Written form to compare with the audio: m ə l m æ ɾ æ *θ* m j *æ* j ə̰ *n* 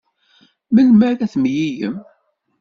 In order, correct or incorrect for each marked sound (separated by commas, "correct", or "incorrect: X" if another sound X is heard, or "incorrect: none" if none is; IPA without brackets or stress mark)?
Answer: correct, incorrect: i, incorrect: m